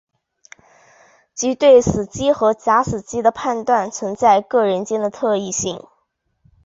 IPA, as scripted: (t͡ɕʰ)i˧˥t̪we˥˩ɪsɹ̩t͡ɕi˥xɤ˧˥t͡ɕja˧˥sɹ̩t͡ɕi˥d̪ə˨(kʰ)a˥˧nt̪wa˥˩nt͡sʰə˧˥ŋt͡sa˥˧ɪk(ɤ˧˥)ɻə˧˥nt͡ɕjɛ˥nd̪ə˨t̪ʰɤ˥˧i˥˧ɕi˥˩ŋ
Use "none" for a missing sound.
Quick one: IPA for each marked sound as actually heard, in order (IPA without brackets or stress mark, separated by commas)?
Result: t͡ɕ, pʰ, ɤ˥˩